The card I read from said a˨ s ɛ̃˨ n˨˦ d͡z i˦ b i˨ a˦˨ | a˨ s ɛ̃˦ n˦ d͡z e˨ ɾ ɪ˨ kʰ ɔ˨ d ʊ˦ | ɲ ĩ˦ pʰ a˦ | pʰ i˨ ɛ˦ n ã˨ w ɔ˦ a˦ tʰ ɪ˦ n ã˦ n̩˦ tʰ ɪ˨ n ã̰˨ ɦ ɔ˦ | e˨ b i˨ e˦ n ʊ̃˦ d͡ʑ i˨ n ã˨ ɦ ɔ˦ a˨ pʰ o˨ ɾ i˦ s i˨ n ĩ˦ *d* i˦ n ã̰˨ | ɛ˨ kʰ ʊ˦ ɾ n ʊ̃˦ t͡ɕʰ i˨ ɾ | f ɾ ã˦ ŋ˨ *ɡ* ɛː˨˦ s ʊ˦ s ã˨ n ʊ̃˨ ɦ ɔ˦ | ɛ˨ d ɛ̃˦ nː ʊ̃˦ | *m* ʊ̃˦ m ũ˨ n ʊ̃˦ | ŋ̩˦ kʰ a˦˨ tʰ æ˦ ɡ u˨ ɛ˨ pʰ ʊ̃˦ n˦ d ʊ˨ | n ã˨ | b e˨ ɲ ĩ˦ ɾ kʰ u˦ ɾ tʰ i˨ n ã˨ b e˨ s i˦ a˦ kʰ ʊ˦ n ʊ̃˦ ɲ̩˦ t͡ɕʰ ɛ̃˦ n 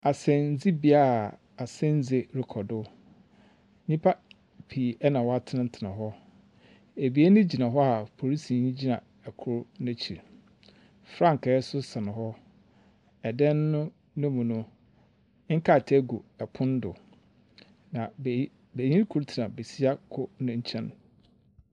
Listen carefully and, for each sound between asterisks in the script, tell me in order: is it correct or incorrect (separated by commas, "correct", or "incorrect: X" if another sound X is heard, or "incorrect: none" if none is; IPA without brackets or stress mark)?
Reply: incorrect: d͡ʑ, incorrect: k, incorrect: n